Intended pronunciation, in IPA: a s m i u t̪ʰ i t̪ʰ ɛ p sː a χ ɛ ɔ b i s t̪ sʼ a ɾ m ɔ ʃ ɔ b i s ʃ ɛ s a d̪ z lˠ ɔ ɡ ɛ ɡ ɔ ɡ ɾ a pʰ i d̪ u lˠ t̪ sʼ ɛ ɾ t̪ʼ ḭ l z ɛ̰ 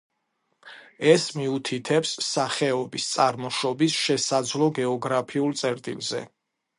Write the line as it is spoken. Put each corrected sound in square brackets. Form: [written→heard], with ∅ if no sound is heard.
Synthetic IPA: [a→ɛ] s m i u t̪ʰ i t̪ʰ ɛ p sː a χ ɛ ɔ b i s t̪ sʼ a ɾ m ɔ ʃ ɔ b i s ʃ ɛ s a d̪ z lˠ ɔ ɡ ɛ [ɡ→∅] ɔ ɡ ɾ a pʰ i [d̪→∅] u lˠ t̪ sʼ ɛ ɾ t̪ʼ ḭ l z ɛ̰